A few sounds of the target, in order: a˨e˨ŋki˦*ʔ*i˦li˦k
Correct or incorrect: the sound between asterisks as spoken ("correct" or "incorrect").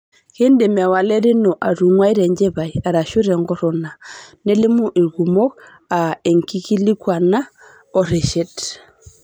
incorrect